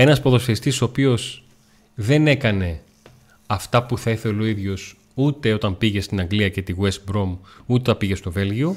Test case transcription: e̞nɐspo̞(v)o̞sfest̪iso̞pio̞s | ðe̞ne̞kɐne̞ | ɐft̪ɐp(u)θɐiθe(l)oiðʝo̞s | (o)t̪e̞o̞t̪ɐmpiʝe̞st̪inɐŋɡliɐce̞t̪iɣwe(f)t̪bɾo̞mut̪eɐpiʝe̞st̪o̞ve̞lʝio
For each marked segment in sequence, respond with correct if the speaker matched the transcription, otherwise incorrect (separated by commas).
incorrect, correct, correct, incorrect, incorrect